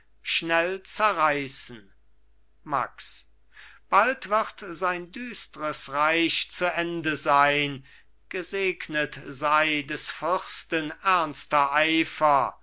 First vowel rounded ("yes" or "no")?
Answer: no